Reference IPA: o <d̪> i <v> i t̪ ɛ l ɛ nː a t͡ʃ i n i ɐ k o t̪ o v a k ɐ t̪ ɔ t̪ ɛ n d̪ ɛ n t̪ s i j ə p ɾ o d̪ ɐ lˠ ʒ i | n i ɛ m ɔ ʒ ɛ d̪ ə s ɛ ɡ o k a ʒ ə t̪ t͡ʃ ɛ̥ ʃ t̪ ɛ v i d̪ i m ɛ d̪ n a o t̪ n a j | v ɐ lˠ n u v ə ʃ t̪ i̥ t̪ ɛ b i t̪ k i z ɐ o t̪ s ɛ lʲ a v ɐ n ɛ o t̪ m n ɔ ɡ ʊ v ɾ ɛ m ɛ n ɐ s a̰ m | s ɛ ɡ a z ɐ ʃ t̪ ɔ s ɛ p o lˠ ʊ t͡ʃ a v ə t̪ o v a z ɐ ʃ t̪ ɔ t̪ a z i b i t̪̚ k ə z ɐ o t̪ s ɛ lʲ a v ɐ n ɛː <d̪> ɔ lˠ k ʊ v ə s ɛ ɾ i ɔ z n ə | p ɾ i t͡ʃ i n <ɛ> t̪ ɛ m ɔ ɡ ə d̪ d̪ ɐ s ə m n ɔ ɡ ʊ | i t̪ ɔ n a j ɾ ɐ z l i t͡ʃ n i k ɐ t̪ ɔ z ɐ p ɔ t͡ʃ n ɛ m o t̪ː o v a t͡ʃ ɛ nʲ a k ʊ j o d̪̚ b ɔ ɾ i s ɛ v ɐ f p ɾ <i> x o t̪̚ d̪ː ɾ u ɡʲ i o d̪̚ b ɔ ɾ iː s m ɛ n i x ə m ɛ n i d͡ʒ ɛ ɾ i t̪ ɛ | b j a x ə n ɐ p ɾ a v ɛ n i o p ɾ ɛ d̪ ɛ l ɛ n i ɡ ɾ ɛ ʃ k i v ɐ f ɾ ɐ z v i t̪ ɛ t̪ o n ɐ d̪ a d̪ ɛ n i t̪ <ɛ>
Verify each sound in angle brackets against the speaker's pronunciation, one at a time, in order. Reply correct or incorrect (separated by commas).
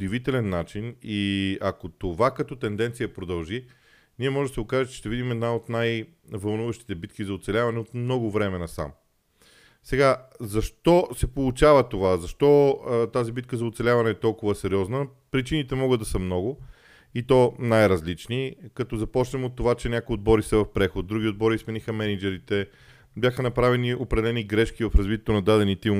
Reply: correct, correct, incorrect, incorrect, incorrect, incorrect